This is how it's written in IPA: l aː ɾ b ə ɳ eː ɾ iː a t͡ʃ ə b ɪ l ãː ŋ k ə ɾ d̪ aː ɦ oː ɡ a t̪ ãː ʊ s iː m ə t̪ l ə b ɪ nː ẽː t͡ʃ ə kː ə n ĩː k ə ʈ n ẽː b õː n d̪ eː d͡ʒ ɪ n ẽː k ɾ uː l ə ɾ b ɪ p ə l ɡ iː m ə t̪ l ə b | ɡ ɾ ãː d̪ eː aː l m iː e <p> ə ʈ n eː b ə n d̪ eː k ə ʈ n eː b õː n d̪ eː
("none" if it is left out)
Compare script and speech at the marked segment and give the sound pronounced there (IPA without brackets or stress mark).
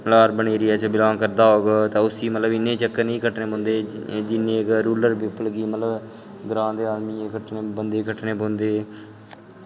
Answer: k